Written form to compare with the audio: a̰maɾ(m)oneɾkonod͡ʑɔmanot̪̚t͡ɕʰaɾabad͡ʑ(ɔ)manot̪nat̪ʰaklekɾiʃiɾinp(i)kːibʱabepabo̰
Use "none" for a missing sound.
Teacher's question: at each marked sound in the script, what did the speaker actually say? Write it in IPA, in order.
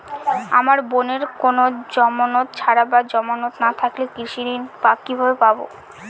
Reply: b, ɔ, a

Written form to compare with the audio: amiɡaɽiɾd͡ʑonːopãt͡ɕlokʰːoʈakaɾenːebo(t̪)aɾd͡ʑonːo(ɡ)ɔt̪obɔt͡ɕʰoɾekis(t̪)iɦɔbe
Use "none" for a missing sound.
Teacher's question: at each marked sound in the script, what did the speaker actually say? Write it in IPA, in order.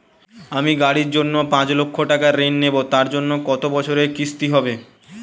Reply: t̪, k, t̪

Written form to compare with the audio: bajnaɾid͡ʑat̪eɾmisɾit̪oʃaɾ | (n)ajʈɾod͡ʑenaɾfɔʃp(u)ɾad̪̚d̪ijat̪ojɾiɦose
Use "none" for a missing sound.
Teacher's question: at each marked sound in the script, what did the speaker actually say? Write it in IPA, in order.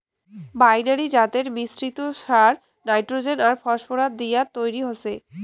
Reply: n, o

